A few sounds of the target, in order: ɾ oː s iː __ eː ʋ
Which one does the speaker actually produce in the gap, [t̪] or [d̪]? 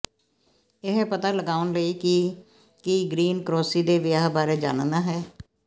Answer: d̪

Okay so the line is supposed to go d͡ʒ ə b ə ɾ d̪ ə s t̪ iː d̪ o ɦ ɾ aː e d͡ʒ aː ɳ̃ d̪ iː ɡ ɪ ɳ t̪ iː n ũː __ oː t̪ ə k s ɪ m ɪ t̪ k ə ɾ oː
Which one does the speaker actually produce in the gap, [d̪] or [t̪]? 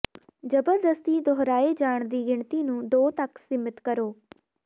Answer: d̪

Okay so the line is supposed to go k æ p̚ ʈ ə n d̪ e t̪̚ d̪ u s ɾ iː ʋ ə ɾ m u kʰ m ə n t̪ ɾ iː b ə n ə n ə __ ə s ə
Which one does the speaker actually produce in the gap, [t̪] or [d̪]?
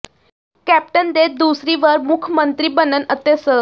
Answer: t̪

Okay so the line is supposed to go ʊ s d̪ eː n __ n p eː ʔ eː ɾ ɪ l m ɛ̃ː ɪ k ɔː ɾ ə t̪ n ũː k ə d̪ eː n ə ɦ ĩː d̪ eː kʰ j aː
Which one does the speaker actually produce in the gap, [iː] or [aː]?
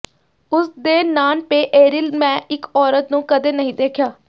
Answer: aː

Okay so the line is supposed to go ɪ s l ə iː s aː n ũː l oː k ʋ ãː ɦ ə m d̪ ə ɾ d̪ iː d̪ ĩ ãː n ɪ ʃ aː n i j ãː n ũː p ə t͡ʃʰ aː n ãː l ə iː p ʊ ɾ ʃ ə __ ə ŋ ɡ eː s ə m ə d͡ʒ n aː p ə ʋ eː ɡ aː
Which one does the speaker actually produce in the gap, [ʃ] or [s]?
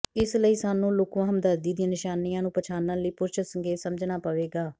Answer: s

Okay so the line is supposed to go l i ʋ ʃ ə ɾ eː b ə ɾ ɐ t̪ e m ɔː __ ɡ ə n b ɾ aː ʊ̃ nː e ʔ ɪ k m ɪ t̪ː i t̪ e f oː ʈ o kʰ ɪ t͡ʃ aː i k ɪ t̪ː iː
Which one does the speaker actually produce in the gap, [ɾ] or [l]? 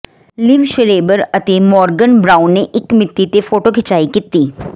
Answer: ɾ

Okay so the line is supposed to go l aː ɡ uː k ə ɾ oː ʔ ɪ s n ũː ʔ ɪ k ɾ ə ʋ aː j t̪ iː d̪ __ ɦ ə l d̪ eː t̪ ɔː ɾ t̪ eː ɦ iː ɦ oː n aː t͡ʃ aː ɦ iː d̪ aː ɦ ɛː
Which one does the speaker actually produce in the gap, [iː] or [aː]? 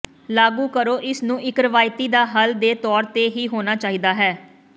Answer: aː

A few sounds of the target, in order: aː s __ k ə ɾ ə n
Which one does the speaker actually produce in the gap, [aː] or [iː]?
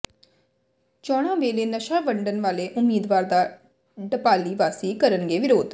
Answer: iː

